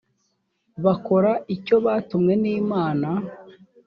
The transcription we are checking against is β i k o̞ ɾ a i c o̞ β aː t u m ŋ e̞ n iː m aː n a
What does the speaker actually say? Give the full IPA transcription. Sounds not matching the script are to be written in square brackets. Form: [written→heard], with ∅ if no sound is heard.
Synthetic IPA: β [i→a] k o̞ ɾ a i c o̞ β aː t u m ŋ e̞ n iː m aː n a